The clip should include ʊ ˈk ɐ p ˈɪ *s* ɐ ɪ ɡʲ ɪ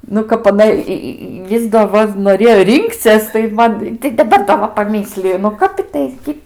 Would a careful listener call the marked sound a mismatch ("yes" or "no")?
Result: yes